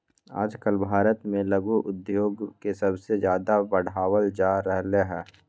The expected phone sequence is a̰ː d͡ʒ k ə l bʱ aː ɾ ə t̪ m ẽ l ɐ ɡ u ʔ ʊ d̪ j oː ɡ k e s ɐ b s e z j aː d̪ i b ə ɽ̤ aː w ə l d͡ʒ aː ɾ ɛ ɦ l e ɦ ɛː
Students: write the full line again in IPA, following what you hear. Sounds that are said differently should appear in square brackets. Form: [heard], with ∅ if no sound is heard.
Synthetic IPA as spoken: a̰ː d͡ʒ k ə l bʱ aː ɾ ə t̪ m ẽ l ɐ ɡ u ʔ ʊ d̪ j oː ɡ k e s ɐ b s e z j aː d̪ [a] b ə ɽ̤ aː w ə l d͡ʒ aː ɾ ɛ ɦ l e ɦ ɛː